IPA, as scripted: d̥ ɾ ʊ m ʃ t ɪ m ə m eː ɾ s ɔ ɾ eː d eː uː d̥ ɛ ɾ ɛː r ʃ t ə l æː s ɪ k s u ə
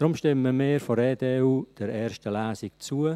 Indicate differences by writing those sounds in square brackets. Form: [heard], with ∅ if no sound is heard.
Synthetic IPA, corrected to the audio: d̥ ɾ ʊ m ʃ t ɪ m ə m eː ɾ [f] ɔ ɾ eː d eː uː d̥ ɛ ɾ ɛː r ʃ t ə l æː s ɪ k [t͡s] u ə